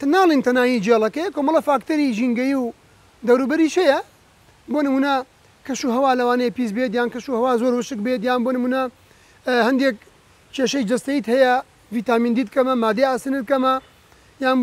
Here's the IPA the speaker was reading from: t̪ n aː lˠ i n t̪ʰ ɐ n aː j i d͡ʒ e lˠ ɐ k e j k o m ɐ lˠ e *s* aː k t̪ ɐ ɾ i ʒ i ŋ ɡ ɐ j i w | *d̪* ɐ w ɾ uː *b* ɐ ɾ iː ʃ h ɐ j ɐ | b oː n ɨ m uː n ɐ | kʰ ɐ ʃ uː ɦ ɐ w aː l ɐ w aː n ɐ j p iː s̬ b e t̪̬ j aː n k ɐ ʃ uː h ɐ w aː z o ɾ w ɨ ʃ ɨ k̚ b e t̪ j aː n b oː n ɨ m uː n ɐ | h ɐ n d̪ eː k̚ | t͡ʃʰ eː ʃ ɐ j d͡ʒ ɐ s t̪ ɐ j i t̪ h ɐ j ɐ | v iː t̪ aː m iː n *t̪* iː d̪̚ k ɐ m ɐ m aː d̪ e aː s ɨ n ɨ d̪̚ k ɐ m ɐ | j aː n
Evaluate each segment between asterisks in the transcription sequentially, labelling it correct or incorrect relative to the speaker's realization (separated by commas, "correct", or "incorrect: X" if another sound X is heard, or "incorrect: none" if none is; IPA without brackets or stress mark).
incorrect: f, correct, correct, incorrect: d̪